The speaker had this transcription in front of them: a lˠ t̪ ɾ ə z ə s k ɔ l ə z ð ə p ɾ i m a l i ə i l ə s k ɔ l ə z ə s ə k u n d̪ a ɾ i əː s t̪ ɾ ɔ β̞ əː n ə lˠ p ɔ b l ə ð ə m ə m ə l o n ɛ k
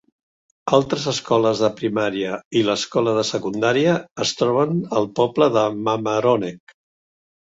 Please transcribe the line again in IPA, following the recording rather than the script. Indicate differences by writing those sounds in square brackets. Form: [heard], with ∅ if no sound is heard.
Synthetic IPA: a lˠ t̪ ɾ ə z ə s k ɔ l ə z ð ə p ɾ i m a [ɾ] i ə i l ə s k ɔ l ə [ð] ə s ə k u n d̪ a ɾ i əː s t̪ ɾ ɔ β̞ [ə] n ə lˠ p ɔ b l ə ð ə m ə m ə [ɾ] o n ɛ k